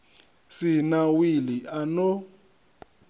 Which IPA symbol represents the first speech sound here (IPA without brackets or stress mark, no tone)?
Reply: s